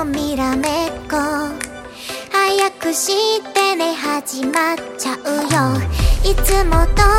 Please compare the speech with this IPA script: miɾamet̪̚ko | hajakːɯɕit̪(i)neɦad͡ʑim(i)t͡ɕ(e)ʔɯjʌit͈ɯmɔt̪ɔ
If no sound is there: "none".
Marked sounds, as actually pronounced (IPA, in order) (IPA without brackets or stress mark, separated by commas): e, a, a